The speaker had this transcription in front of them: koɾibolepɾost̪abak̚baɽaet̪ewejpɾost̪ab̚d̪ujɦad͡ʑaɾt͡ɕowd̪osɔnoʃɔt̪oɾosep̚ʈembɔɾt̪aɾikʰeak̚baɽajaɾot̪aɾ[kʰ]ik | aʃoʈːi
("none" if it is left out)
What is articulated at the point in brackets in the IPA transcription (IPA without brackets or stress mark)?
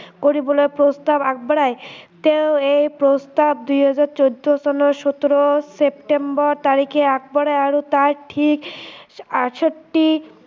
ʈʰ